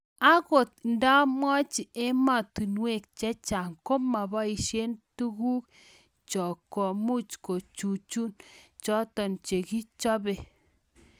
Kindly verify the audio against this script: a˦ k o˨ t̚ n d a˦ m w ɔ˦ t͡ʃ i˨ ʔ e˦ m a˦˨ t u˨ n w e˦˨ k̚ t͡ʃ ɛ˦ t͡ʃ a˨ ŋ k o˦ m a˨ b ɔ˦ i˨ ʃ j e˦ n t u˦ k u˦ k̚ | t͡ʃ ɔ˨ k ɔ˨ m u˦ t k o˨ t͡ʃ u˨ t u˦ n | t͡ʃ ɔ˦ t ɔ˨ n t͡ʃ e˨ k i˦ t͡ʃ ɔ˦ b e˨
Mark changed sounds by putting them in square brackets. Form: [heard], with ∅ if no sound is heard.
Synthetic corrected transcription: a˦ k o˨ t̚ n d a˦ m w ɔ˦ t͡ʃ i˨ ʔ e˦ m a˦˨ t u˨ n w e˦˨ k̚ t͡ʃ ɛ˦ t͡ʃ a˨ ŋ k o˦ m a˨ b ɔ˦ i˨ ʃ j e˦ n t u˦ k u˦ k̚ | t͡ʃ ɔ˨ k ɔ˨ m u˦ [t͡ʃ] k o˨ t͡ʃ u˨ [t͡ʃ] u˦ n | t͡ʃ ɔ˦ t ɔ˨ n t͡ʃ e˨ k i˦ t͡ʃ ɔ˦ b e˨